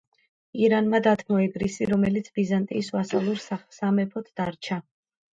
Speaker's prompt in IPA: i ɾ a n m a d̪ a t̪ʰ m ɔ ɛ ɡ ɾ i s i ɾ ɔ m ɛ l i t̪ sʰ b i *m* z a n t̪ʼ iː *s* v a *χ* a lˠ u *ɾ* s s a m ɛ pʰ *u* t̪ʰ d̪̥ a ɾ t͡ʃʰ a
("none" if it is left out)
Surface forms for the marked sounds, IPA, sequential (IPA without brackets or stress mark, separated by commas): none, s, s, ɾ, ɔ